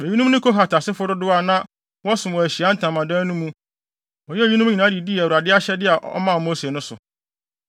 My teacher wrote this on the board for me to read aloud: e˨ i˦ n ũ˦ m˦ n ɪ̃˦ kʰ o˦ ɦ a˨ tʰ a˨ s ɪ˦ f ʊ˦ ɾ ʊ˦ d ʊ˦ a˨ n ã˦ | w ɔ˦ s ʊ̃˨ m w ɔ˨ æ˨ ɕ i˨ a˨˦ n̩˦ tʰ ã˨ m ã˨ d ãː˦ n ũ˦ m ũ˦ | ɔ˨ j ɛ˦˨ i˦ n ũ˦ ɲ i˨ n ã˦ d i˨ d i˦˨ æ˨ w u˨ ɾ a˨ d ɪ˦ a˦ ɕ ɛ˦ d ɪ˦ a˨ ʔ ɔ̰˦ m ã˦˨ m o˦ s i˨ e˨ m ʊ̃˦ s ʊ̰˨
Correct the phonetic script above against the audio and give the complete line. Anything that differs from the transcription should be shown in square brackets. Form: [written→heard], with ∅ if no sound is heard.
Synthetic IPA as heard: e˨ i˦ n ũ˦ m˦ n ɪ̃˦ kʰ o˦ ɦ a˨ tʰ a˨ s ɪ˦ f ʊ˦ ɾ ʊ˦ d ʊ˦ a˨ n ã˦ | w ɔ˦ s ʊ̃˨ m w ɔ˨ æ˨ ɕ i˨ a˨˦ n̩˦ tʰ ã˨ m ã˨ d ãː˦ n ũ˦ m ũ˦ | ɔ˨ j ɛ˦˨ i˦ n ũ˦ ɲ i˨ n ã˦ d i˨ d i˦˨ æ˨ w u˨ ɾ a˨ d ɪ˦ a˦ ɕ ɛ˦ d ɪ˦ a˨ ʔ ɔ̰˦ m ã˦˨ m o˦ s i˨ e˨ [m→n] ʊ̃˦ s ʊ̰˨